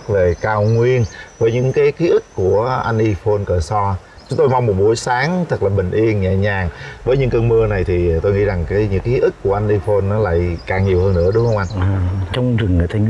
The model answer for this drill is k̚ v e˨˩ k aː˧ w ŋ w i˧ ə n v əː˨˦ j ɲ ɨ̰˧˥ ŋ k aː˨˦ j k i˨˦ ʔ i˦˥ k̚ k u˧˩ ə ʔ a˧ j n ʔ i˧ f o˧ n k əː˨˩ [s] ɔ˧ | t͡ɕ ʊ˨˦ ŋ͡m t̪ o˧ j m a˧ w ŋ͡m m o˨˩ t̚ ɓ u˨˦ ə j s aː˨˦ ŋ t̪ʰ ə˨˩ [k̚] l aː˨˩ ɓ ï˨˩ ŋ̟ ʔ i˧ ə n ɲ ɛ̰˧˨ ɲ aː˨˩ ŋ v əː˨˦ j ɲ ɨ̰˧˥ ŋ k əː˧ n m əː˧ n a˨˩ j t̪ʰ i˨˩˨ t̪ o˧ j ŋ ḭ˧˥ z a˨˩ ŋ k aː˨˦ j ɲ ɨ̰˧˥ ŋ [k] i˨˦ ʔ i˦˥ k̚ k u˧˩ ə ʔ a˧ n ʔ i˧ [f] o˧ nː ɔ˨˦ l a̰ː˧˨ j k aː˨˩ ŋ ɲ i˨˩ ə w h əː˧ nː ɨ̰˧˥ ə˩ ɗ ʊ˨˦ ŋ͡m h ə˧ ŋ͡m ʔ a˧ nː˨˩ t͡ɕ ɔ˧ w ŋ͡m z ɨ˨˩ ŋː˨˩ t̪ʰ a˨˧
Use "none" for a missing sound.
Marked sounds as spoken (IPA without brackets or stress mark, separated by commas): s, k̚, k, f